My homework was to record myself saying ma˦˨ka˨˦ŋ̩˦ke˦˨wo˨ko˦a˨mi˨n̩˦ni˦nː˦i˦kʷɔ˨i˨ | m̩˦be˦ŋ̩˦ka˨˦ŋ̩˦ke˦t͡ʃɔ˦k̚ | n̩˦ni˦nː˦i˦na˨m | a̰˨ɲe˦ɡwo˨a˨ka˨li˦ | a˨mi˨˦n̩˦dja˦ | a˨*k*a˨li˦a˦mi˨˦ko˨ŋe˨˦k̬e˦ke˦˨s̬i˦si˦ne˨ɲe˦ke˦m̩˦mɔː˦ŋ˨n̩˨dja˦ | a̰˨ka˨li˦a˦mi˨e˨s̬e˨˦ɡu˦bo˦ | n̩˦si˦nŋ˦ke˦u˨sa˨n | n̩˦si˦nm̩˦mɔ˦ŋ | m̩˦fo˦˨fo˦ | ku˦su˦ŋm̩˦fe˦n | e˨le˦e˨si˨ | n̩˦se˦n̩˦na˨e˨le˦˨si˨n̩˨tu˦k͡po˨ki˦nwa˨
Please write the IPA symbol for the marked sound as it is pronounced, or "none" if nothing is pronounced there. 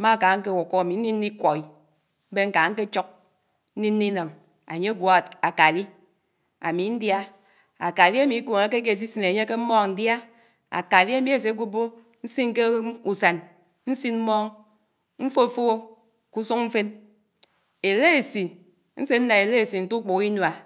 k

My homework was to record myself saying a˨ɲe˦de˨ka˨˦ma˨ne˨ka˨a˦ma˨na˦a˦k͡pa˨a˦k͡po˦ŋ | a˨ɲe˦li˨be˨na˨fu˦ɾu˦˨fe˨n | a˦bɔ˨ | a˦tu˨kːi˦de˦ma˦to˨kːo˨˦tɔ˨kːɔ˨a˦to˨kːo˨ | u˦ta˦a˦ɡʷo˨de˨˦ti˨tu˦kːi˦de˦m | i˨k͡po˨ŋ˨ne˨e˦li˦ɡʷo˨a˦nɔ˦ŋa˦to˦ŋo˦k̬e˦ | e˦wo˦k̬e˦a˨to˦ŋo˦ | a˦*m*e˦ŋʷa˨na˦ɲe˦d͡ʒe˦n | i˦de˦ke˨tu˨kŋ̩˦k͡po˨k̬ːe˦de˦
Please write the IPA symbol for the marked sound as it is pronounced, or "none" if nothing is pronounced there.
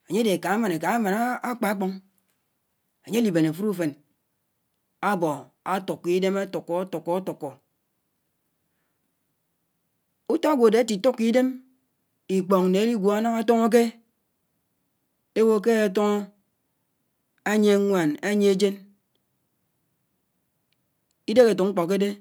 ɲ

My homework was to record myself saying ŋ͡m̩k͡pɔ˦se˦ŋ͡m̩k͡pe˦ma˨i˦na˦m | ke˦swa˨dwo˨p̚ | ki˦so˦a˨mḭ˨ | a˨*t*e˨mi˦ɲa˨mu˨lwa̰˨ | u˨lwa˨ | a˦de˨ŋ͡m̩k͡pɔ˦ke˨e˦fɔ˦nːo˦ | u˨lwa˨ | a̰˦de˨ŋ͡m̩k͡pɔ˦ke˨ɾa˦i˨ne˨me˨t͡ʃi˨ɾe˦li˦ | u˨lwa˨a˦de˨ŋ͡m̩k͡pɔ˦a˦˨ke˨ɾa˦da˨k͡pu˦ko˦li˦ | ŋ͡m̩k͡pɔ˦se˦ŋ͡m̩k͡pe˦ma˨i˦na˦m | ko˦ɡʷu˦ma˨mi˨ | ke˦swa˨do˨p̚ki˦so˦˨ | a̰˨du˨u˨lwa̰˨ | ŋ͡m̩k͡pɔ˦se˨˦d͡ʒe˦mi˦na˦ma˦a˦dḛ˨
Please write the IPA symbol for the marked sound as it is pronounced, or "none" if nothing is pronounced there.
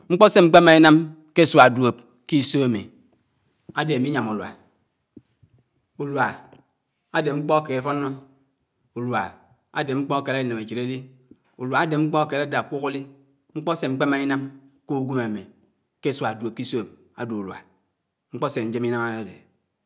d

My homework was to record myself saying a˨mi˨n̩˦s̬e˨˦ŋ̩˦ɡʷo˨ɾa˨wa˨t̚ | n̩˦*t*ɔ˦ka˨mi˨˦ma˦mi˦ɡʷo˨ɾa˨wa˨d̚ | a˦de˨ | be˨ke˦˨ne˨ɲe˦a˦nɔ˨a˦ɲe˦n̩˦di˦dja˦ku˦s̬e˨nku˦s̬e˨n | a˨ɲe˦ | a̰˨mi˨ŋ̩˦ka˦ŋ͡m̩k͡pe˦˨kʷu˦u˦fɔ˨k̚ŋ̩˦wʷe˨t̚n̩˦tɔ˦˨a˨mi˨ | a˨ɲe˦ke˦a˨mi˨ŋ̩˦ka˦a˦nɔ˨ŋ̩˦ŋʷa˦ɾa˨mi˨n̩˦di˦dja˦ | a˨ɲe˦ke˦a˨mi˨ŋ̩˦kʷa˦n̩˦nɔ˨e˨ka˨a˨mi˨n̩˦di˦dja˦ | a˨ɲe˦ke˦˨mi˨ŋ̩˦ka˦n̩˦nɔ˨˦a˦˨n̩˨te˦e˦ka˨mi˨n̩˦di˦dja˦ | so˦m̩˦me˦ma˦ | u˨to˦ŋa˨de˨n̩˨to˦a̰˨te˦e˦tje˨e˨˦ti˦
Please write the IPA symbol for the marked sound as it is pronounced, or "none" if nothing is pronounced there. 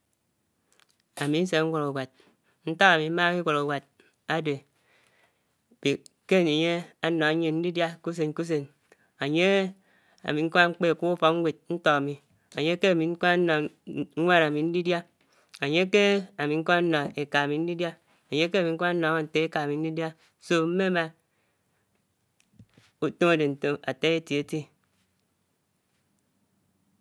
t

